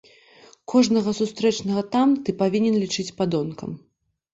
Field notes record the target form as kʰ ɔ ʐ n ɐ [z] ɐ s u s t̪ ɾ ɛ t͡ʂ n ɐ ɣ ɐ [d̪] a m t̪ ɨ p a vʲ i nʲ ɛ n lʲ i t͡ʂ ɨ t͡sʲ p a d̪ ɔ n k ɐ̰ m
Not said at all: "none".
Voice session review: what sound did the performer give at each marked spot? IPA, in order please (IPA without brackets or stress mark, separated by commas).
ɣ, t̪